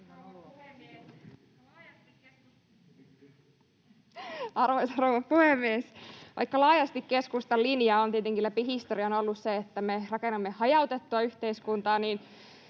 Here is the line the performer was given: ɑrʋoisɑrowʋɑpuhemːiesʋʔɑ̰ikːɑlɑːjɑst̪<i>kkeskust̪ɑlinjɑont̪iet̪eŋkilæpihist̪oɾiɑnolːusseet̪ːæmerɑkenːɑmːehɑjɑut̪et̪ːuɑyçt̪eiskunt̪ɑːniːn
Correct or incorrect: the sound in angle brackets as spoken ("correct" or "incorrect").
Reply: correct